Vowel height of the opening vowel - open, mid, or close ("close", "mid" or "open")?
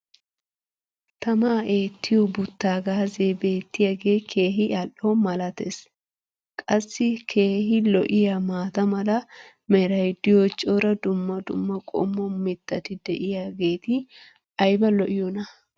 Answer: open